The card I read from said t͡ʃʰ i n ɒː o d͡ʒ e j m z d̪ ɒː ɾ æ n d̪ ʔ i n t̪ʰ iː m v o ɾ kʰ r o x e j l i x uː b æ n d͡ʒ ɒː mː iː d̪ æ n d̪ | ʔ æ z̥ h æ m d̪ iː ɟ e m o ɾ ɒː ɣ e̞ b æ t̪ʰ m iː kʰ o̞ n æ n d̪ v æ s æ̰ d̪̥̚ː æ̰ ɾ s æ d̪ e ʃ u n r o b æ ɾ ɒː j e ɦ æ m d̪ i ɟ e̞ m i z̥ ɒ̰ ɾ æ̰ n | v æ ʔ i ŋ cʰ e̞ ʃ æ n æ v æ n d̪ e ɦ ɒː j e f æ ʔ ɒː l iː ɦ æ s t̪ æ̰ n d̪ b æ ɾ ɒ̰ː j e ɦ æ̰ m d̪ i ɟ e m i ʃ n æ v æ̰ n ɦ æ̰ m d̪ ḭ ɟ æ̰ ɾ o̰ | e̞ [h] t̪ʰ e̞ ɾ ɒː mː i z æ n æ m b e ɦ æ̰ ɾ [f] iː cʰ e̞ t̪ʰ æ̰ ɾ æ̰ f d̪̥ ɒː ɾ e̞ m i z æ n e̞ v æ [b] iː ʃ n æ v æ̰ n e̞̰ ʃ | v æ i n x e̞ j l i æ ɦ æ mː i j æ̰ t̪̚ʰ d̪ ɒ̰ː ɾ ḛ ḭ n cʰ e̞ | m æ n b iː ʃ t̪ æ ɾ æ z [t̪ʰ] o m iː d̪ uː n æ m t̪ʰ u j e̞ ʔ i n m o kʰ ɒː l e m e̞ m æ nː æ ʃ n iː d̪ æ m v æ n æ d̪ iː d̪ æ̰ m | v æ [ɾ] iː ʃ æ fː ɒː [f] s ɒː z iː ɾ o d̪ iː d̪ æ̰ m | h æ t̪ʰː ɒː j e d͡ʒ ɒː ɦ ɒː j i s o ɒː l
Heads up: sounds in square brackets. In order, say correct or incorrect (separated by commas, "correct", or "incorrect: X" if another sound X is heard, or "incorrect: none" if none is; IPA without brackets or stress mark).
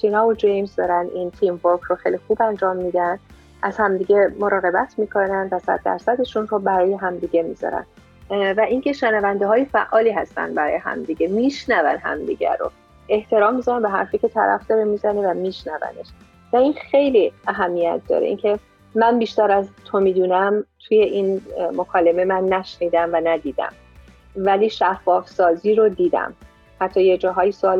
correct, correct, incorrect: m, correct, incorrect: l, correct